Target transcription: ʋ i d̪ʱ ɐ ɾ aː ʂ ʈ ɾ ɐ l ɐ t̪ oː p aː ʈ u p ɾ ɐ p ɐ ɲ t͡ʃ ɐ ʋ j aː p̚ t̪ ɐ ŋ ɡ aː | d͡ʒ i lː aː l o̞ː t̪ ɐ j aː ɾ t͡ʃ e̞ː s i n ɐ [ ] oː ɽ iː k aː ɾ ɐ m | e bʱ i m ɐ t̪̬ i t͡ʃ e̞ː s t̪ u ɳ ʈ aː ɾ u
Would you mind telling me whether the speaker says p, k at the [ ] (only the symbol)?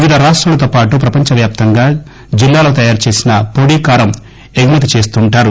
p